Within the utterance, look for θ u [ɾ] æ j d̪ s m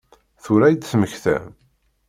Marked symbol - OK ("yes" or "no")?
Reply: yes